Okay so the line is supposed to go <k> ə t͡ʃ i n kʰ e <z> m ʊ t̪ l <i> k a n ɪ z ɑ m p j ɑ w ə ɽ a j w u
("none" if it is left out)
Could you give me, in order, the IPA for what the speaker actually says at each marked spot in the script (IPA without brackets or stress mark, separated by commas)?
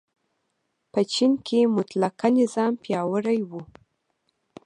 p, none, a